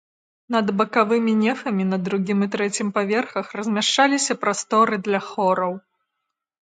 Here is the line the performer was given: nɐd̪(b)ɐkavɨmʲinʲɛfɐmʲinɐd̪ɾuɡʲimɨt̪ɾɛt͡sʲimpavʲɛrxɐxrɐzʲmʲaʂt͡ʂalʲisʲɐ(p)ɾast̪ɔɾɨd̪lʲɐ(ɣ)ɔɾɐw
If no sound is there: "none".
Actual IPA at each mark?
b, p, x

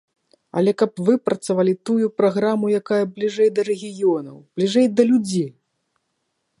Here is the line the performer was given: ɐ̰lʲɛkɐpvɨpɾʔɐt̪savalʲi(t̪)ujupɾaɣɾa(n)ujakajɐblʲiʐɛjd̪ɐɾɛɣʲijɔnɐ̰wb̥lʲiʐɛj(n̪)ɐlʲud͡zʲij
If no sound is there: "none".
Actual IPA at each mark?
t̪, m, d̪

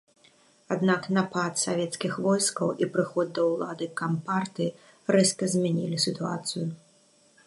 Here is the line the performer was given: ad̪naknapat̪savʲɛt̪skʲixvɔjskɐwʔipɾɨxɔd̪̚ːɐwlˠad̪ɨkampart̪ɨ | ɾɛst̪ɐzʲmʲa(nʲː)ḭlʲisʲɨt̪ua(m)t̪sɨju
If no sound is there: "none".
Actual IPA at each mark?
nʲ, none

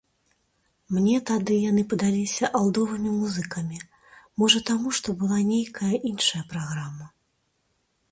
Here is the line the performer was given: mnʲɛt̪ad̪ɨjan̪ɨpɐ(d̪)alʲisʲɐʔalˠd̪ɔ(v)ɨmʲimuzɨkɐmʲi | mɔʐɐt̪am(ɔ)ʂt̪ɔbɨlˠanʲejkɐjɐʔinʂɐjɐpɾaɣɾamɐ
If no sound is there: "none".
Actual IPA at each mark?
d̪, v, u

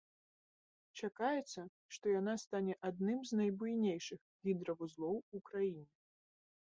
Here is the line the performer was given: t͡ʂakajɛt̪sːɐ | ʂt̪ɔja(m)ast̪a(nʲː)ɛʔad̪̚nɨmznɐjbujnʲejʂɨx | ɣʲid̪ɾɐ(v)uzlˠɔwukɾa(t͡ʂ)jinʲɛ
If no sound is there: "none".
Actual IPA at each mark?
n, nʲ, v, none

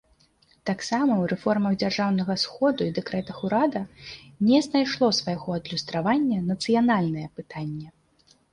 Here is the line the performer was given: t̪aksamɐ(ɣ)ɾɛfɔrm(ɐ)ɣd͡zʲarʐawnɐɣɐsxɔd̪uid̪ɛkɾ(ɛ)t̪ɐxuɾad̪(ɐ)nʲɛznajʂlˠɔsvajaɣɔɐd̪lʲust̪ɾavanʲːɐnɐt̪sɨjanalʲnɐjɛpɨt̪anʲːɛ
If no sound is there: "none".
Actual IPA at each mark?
w, ɐ, ɛ, ɐ

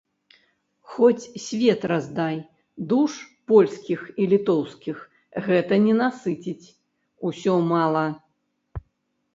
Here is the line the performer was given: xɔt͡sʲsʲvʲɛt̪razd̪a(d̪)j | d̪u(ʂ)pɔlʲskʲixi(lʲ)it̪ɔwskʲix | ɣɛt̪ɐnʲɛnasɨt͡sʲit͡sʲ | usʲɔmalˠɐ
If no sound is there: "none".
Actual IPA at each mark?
none, ʂ, lʲ

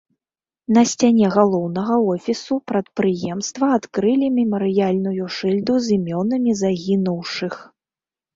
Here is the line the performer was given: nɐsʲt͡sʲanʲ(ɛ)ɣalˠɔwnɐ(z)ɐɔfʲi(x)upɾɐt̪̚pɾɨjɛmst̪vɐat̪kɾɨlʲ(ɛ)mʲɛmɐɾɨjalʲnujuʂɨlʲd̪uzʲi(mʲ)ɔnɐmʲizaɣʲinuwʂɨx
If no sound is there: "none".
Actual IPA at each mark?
ɛ, ɣ, s, i, mʲ

